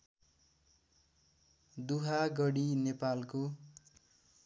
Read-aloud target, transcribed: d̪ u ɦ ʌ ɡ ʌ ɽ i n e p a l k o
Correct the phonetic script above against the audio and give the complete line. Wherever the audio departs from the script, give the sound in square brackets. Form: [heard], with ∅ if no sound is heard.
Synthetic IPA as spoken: d̪ u ɦ [a] ɡ ʌ ɽ i n e p a l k o